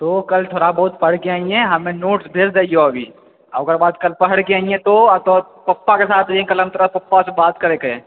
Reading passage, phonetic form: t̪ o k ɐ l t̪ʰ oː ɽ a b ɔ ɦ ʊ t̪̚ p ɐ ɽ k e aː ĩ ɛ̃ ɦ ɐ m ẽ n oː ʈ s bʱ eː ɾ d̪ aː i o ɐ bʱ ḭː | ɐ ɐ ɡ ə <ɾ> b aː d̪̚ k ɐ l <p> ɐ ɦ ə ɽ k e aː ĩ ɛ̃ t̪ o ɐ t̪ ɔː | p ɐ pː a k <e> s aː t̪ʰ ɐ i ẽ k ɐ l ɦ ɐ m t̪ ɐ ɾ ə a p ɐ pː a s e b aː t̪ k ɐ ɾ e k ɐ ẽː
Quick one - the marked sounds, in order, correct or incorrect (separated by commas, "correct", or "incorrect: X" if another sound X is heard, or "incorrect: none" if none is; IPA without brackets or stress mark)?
correct, correct, correct